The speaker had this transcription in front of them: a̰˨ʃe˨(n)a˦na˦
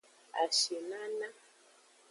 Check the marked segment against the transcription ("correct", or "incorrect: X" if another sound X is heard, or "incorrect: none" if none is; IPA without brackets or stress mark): correct